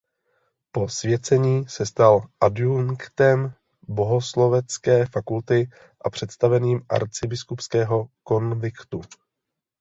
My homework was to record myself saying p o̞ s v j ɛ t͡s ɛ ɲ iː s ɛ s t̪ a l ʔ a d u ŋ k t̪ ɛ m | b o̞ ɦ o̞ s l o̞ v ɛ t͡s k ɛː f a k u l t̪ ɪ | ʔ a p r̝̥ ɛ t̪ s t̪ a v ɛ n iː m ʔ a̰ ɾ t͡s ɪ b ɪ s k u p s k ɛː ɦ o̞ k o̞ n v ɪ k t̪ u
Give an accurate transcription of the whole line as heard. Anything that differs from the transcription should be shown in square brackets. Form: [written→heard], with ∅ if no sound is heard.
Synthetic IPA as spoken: p o̞ s v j ɛ t͡s ɛ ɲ iː s ɛ s t̪ a l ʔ a d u ŋ k t̪ ɛ m | b o̞ ɦ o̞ s l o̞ v ɛ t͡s k ɛː f a k u l t̪ ɪ | ʔ a p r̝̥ ɛ t̪ s t̪ a v ɛ n iː m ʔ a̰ ɾ t͡s ɪ b ɪ s k u p s k ɛː ɦ o̞ k o̞ n v ɪ k t̪ u